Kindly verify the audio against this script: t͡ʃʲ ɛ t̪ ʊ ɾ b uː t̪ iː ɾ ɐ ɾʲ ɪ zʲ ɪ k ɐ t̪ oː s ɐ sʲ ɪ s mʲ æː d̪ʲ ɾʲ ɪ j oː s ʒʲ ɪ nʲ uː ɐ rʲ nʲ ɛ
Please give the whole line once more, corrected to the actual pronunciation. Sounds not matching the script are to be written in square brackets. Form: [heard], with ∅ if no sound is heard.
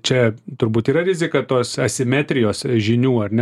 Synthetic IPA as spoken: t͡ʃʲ ɛ t̪ ʊ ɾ b uː t̪ iː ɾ ɐ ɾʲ ɪ zʲ ɪ k ɐ t̪ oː s ɐ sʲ ɪ [∅] mʲ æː [t̪ʲ] ɾʲ ɪ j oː s ʒʲ ɪ nʲ uː ɐ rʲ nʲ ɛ